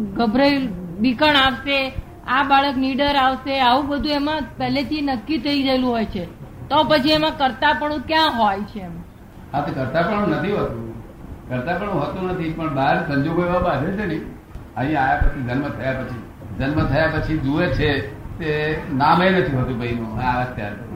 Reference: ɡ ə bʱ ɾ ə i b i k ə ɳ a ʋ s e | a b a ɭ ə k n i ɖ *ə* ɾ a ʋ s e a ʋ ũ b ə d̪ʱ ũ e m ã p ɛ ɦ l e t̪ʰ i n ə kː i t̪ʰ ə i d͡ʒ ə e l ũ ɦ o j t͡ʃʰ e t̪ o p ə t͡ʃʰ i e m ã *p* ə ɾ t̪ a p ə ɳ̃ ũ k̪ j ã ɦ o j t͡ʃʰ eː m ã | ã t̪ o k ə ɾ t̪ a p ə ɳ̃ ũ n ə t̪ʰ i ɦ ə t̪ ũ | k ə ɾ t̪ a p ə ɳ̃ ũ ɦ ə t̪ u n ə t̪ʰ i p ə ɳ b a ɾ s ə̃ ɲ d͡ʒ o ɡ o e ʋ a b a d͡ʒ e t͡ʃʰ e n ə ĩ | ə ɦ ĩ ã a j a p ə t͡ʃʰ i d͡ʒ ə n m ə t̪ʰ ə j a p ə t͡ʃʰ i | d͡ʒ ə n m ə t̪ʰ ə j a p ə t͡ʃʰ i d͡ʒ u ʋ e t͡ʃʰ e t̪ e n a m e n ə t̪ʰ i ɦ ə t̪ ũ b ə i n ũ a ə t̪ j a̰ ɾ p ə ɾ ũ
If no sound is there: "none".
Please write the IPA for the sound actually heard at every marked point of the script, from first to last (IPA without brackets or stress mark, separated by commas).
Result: ə, k